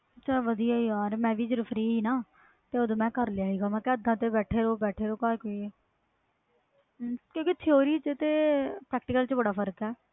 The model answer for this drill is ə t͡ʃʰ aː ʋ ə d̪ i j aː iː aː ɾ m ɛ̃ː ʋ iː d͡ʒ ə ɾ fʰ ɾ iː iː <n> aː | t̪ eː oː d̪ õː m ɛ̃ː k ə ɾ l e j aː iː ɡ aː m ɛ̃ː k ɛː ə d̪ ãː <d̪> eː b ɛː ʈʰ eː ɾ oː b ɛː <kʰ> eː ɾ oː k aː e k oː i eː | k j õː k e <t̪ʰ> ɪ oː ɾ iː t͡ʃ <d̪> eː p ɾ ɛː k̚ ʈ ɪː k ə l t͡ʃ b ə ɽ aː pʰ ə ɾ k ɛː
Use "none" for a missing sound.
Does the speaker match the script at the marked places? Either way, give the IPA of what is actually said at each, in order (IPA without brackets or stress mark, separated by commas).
n, t̪, ʈʰ, t̪ʰ, t̪